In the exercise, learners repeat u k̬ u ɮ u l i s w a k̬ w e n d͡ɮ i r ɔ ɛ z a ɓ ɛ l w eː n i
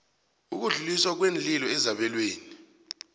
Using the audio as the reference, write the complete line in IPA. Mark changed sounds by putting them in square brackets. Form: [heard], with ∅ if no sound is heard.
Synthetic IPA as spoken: u k̬ u ɮ u l i s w a k̬ w e n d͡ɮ i [l] ɔ ɛ z a ɓ ɛ l w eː n i